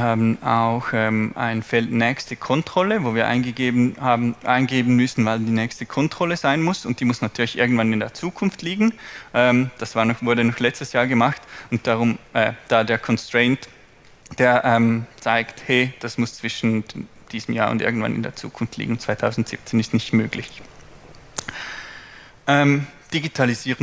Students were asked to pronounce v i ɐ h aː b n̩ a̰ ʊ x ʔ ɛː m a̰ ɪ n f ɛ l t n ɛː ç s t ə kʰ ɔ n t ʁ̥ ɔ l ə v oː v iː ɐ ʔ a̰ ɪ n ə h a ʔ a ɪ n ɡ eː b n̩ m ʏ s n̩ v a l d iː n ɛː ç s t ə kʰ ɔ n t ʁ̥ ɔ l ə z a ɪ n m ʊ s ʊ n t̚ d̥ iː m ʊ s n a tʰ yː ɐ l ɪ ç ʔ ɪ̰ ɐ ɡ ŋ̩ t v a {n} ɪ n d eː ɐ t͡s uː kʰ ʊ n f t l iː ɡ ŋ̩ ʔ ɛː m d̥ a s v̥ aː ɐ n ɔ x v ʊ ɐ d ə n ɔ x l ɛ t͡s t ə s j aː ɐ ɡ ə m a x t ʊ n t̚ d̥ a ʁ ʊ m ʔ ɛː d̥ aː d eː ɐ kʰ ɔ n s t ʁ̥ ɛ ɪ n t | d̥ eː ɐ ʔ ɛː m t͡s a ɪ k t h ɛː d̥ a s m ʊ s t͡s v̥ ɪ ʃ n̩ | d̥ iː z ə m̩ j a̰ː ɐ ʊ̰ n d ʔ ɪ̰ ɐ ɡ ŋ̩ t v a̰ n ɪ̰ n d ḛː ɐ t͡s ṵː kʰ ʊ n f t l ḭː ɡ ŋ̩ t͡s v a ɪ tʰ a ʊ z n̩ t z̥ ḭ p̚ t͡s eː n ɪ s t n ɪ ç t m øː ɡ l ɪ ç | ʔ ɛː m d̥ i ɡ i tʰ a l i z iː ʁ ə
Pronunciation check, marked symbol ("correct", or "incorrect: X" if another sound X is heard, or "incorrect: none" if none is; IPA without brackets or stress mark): correct